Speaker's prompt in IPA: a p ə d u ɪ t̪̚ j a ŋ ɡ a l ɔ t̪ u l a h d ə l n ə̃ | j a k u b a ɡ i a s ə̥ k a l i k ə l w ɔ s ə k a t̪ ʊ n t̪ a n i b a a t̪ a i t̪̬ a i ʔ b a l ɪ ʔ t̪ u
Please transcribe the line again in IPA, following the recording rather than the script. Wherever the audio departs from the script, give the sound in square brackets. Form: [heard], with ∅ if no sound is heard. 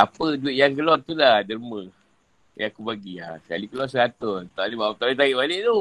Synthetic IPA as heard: a p ə d u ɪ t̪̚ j a ŋ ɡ [ə] l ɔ t̪ u l a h d ə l [m] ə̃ | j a k u b a ɡ i a s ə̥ k a l i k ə l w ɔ s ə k a t̪ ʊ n t̪ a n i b a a t̪ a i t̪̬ a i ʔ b a l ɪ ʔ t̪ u